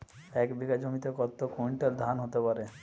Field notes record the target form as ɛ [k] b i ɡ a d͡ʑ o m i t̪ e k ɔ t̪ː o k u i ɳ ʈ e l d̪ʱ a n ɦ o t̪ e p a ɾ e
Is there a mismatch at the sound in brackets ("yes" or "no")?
no